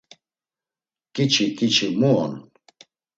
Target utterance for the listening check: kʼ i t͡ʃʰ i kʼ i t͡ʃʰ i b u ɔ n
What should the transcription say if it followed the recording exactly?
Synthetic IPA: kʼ i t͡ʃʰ i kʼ i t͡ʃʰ i m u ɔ n

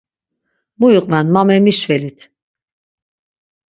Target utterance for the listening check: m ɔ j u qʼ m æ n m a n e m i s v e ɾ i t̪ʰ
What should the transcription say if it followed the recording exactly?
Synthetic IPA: m u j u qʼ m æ n m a m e m i ʃ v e l i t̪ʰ

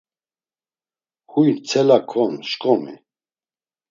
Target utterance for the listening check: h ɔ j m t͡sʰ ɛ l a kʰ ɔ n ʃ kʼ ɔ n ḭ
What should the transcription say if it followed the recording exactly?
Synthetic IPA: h u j n t͡sʰ ɛ l a kʰ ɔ n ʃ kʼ ɔ m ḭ

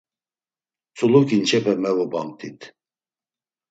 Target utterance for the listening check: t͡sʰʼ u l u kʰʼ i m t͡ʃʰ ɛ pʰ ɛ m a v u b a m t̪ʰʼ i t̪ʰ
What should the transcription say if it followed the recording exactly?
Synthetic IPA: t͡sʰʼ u l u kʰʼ i n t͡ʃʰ ɛ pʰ ɛ m ɛ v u b a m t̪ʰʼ i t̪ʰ

